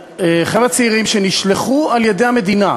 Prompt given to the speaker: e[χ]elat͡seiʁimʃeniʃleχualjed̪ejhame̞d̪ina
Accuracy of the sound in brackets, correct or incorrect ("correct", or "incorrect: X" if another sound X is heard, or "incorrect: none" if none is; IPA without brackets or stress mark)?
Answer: correct